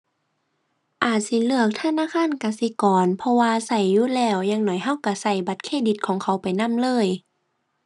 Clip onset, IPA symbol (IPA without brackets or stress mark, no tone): ʔ